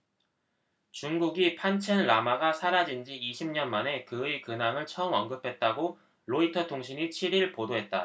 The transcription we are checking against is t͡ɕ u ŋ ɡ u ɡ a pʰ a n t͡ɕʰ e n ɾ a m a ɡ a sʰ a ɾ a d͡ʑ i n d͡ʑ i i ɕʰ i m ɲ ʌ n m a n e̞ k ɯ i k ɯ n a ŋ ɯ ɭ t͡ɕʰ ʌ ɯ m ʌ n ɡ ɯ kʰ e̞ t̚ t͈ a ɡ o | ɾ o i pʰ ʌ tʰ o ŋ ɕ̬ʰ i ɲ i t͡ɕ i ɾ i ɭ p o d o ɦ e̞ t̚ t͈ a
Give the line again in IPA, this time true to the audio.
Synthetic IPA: t͡ɕ u ŋ ɡ u ɡ i pʰ a n t͡ɕʰ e n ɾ a m a ɡ a sʰ a ɾ a d͡ʑ i n d͡ʑ i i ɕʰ i m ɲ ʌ n m a n e̞ k ɯ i k ɯ n a ŋ ɯ ɭ t͡ɕʰ ʌ ɯ m ʌ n ɡ ɯ pʰ e̞ t̚ t͈ a ɡ o | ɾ o i tʰ ʌ tʰ o ŋ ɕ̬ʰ i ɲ i t͡ɕʰ i ɾ i ɭ p o d o ɦ e̞ t̚ t͈ a

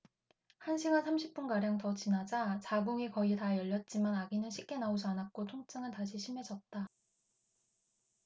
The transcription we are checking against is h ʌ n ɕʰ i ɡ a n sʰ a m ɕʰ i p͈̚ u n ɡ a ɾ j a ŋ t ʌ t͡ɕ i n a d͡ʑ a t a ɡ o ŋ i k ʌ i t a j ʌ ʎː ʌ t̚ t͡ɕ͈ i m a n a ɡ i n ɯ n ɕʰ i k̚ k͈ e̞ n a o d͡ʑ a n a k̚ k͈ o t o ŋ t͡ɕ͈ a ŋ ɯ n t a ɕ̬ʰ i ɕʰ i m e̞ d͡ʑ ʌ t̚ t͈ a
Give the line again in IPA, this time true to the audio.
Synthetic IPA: h a n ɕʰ i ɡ a n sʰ a m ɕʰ i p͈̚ u n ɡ a ɾ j a ŋ t ʌ t͡ɕ i n a d͡ʑ a t͡ɕ a ɡ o ŋ i k ʌ i t a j ʌ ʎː ʌ t̚ t͡ɕ͈ i m a n a ɡ i n ɯ n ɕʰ i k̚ k͈ e̞ n a o d͡ʑ a n a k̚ k͈ o tʰ o ŋ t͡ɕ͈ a ŋ ɯ n t a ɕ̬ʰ i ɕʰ i m e̞ d͡ʑ ʌ t̚ t͈ a

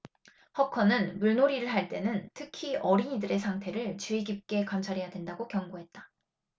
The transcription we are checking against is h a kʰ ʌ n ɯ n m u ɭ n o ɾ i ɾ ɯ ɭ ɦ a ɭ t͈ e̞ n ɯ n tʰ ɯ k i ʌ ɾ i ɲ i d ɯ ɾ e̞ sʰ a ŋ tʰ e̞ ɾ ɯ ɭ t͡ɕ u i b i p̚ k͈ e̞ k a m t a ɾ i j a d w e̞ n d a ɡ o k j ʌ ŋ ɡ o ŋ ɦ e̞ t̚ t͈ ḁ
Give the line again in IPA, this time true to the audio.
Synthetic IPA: h ʌ kʰ ʌ n ɯ n m u ɭ n o ɾ i ɾ ɯ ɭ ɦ a ɭ t͈ e̞ n ɯ n tʰ ɯ kʰ i ʌ ɾ i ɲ i d ɯ ɾ e̞ sʰ a ŋ tʰ e̞ ɾ ɯ ɭ t͡ɕ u i ɡ i p̚ k͈ e̞ k a m t͡ɕʰ a ɾ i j a d w e̞ n d a ɡ o k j ʌ ŋ ɡ o ɦ e̞ t̚ t͈ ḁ

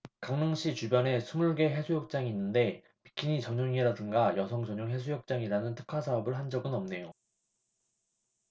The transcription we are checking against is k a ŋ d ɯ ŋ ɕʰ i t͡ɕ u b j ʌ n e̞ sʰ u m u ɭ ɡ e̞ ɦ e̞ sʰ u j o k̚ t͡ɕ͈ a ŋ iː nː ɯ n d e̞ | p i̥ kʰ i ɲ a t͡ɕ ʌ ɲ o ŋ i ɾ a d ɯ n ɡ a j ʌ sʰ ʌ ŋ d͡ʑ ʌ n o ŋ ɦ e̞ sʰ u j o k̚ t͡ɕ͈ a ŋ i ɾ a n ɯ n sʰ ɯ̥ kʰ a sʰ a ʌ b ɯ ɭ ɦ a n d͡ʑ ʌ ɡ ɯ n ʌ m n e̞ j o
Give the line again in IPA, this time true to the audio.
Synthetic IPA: k a ŋ n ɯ ŋ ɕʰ i t͡ɕ u b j ʌ n e̞ sʰ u m u ɭ ɡ e̞ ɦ e̞ sʰ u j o k̚ t͡ɕ͈ a ŋ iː nː ɯ n d e̞ | p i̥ kʰ i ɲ i t͡ɕ ʌ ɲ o ŋ i ɾ a d ɯ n ɡ a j ʌ sʰ ʌ ŋ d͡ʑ ʌ ɲ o ŋ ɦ e̞ sʰ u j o k̚ t͡ɕ͈ a ŋ i ɾ a n ɯ n tʰ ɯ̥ kʰ a sʰ a ʌ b ɯ ɭ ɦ a n d͡ʑ ʌ ɡ ɯ n ʌ m n e̞ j o

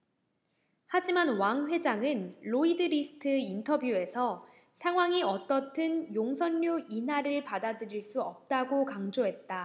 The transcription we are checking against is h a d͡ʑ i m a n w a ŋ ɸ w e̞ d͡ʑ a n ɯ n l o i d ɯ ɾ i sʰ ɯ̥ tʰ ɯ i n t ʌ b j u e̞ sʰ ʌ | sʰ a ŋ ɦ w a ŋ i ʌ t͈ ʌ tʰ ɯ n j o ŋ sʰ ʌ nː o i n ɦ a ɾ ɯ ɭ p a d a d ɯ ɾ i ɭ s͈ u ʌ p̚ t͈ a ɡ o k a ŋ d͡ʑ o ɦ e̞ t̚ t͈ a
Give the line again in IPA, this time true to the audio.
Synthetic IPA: h a d͡ʑ i m a n w a ŋ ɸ w e̞ d͡ʑ a ŋ ɯ n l o i d ɯ ɾ i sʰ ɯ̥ tʰ ɯ i n tʰ ʌ b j u e̞ sʰ ʌ | sʰ a ŋ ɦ w a ŋ i ʌ t͈ ʌ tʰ ɯ n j o ŋ sʰ ʌ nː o i n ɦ a ɾ ɯ ɭ p a d a d ɯ ɾ i ɭ s͈ u ʌ p̚ t͈ a ɡ o k a ŋ d͡ʑ o ɦ e̞ t̚ t͈ a

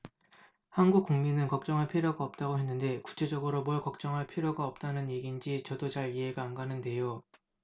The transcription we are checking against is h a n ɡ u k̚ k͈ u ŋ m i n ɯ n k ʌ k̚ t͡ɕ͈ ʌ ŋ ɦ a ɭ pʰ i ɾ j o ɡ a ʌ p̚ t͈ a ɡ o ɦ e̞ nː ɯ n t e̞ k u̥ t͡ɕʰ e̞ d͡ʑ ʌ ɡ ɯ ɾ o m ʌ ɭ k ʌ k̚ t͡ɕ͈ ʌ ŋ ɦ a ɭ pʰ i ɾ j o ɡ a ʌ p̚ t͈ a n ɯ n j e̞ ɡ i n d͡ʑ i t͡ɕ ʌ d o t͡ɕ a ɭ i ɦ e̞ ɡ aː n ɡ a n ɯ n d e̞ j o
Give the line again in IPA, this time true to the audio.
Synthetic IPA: h a n ɡ u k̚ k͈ u ŋ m i n ɯ n k ʌ k̚ t͡ɕ͈ ʌ ŋ ɦ a ɭ pʰ i ɾ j o ɡ a ʌ p̚ t͈ a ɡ o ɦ e̞ nː ɯ n d e̞ k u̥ t͡ɕʰ e̞ d͡ʑ ʌ ɡ ɯ ɾ o m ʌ ɭ k ʌ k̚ t͡ɕ͈ ʌ ŋ ɦ a ɭ pʰ i ɾ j o ɡ a ʌ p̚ t͈ a n ɯ n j e̞ ɡ i n d͡ʑ i t͡ɕ ʌ d o t͡ɕ a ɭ i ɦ e̞ ɡ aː n ɡ a n ɯ n d e̞ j o

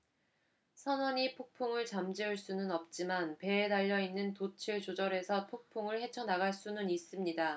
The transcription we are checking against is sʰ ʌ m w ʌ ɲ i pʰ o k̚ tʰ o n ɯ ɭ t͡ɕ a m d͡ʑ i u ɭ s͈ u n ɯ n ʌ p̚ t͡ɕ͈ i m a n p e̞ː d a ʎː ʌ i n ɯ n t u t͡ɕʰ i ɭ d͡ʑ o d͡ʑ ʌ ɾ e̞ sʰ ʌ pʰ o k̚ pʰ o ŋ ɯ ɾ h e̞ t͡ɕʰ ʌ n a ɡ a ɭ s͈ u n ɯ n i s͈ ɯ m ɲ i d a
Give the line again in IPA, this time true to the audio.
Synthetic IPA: sʰ ʌ n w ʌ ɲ i pʰ o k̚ pʰ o ŋ ɯ ɭ t͡ɕ a m d͡ʑ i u ɭ s͈ u n ɯ n ʌ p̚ t͡ɕ͈ i m a n p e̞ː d a ʎː ʌ i nː ɯ n t o t͡ɕʰ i ɭ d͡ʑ o d͡ʑ ʌ ɾ e̞ sʰ ʌ pʰ o k̚ pʰ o ŋ ɯ ɭ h e̞ t͡ɕʰ ʌ n a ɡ a ɭ s͈ u n ɯ n i s͈ ɯ m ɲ i d a

